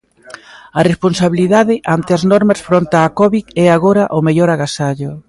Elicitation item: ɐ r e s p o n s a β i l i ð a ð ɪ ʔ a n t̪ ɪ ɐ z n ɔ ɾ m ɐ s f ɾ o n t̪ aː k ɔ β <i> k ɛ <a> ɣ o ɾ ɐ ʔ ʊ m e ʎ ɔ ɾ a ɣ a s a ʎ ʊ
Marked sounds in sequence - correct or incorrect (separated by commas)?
correct, correct